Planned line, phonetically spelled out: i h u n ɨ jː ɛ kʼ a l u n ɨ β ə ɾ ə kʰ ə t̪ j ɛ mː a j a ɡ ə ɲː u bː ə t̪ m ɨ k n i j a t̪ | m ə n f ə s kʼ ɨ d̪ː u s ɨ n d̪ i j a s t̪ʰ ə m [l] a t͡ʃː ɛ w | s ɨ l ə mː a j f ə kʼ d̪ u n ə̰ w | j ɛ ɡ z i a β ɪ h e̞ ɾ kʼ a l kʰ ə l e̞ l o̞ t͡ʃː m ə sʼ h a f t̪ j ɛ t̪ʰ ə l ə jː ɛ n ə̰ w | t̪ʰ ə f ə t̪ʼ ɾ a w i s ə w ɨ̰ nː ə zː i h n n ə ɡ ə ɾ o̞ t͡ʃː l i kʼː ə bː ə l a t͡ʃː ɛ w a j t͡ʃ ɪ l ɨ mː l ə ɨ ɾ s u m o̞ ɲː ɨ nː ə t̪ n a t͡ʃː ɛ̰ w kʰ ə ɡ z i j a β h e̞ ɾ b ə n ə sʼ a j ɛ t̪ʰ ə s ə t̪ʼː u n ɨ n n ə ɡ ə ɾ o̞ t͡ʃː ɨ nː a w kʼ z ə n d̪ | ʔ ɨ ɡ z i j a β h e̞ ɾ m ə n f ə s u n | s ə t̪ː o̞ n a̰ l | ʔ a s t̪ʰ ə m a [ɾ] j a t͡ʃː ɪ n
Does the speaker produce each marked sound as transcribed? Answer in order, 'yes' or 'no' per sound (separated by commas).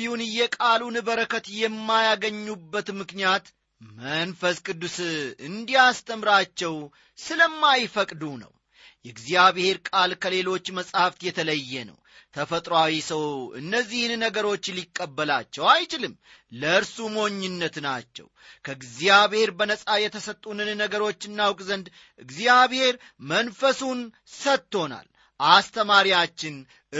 no, yes